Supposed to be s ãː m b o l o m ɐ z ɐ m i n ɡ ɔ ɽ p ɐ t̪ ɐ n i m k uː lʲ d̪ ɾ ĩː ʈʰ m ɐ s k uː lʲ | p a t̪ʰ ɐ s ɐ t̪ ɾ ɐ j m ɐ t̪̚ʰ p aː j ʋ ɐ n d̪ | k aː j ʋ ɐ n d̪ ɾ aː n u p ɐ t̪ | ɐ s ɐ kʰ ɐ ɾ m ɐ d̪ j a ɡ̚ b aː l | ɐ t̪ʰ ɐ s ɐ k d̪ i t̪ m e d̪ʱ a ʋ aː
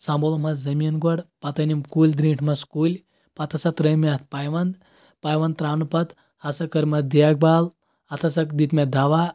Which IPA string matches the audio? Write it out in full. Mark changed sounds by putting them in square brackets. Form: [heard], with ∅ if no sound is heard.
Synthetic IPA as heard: s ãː m b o l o m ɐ z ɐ m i n ɡ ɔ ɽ p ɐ t̪ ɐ n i m k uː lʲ d̪ ɾ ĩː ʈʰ m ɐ s k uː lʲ | p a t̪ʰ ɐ s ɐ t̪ ɾ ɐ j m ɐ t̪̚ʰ p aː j ʋ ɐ n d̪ | [p] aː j ʋ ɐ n [t̪] ɾ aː n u p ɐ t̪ | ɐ s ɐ [k] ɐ ɾ m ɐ d̪ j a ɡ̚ b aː l | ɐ t̪ʰ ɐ s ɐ k d̪ i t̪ m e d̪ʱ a ʋ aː